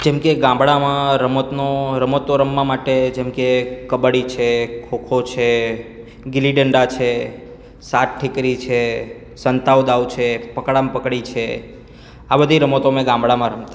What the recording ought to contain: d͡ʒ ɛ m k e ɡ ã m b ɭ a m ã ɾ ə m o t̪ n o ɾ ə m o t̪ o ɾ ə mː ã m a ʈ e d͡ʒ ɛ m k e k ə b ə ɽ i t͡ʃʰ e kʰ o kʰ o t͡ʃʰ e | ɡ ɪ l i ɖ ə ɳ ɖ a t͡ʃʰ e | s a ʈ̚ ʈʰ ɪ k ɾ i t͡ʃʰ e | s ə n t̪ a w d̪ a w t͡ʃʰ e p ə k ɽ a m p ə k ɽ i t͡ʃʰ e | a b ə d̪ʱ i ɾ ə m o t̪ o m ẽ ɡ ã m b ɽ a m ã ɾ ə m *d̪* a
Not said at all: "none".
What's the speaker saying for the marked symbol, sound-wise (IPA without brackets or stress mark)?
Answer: t̪